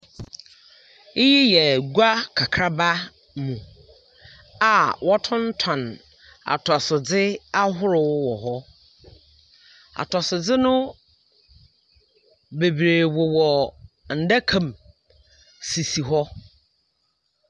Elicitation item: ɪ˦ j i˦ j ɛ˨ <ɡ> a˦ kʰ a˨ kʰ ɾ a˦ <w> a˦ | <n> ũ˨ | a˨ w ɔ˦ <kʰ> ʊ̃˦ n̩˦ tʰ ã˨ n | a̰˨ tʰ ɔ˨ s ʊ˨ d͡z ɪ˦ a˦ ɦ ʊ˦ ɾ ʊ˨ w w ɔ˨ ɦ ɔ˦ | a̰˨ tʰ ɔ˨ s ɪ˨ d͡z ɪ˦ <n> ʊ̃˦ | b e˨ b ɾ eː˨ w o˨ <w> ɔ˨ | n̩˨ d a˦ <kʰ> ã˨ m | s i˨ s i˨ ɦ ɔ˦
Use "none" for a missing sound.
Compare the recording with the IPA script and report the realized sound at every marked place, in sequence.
ɡ, b, m, tʰ, n, w, kʰ

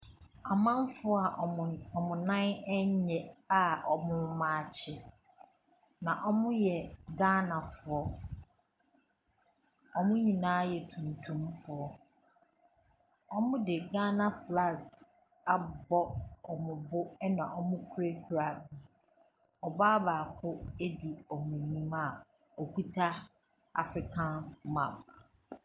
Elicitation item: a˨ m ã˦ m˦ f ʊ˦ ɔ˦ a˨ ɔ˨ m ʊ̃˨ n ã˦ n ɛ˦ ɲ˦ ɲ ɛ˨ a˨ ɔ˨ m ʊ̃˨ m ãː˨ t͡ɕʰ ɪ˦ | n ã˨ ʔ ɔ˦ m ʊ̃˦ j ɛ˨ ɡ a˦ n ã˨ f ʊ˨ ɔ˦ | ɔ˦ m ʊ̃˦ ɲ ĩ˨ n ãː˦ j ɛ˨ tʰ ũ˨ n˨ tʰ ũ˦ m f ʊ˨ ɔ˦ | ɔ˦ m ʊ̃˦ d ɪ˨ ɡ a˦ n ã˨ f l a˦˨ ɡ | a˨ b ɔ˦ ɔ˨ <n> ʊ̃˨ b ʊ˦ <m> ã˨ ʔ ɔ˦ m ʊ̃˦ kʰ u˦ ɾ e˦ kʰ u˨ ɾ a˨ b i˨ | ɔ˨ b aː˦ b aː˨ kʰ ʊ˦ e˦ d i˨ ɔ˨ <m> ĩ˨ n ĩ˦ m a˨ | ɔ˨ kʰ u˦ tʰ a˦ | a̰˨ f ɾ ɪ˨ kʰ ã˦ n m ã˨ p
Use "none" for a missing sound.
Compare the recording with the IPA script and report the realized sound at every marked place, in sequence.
m, n, m

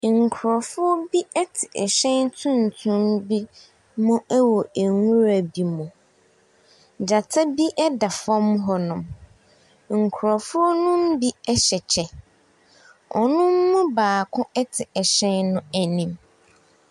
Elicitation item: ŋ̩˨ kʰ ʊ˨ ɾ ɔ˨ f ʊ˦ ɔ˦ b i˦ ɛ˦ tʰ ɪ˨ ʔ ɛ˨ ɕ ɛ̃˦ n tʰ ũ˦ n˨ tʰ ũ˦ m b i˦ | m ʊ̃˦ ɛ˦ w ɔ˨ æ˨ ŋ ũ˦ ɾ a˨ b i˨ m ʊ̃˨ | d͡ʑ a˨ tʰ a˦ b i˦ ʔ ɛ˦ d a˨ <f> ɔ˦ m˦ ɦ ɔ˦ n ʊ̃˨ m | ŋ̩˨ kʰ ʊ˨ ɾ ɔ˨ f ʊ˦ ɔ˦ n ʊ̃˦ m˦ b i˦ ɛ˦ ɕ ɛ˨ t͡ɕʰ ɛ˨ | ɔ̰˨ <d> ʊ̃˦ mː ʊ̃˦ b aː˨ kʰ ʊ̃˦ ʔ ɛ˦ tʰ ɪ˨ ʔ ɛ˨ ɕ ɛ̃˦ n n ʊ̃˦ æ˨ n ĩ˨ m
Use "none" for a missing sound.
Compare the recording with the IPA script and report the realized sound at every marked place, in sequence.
f, n

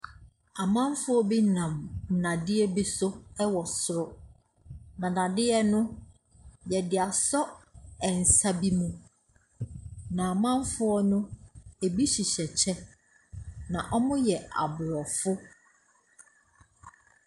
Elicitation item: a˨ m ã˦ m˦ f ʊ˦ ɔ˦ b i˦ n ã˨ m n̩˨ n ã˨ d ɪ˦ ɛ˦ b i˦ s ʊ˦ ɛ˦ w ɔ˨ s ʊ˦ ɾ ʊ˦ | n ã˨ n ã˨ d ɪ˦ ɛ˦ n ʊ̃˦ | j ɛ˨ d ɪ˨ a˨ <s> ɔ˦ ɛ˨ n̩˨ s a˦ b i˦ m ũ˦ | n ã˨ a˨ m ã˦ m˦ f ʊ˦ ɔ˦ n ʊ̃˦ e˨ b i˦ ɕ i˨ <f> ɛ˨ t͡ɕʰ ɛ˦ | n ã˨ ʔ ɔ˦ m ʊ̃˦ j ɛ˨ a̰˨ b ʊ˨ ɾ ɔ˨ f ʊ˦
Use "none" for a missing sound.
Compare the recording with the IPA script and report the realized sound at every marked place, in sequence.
s, ɕ

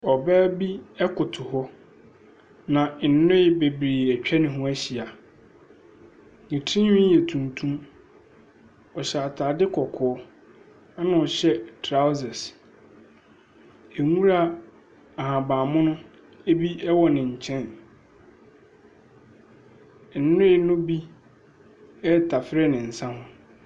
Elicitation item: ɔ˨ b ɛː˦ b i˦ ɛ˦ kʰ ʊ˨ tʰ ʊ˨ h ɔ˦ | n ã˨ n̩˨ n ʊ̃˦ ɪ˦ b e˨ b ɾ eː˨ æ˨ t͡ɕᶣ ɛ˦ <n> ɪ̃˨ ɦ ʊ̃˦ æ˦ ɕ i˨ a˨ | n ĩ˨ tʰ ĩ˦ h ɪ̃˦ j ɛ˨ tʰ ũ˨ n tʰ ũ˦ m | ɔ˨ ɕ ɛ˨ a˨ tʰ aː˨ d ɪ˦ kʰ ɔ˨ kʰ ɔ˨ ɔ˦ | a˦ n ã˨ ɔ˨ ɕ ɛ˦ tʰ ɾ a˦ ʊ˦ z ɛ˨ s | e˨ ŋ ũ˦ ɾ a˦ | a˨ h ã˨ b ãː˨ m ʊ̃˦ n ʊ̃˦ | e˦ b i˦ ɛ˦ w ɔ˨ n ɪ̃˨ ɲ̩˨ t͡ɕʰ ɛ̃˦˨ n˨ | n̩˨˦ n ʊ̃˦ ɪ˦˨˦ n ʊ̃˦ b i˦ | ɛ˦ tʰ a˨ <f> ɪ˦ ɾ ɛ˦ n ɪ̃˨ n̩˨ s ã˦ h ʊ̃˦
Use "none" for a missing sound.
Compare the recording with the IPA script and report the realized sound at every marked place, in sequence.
n, f

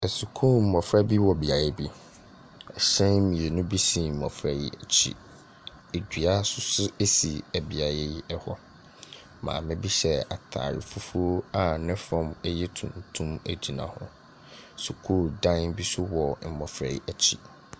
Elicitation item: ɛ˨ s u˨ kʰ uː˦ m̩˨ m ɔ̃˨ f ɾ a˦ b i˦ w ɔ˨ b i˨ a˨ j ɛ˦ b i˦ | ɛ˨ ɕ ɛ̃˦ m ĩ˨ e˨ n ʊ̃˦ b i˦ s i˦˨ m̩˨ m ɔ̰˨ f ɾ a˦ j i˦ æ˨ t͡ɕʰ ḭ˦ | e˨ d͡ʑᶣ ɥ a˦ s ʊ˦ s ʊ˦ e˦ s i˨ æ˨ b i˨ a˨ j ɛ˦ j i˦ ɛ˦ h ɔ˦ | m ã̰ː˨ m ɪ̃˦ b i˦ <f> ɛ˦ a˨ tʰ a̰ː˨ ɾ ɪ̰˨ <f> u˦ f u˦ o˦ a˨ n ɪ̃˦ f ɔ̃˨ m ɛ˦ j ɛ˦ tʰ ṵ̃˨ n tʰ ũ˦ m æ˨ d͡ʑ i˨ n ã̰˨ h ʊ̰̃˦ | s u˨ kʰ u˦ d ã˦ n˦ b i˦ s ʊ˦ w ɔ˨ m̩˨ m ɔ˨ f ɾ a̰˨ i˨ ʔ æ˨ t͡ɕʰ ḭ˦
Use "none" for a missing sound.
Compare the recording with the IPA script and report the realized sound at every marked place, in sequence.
ɕ, f

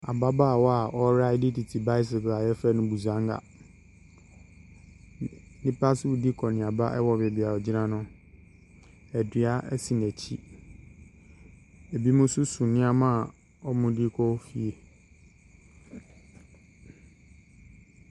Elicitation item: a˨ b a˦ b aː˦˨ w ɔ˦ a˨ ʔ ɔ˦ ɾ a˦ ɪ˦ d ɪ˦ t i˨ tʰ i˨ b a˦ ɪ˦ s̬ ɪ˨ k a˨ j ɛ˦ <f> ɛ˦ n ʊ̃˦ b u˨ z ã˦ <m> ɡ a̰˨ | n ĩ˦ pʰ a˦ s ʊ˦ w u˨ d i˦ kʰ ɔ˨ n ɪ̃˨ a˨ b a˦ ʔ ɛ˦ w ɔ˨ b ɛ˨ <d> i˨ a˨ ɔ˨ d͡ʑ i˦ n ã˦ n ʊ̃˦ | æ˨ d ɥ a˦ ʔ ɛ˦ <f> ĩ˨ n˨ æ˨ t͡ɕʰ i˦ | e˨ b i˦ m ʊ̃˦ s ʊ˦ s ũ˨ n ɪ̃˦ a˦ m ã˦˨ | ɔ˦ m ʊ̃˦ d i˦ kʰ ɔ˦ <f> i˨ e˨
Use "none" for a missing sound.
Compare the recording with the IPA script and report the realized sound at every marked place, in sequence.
f, ŋ, b, s, f

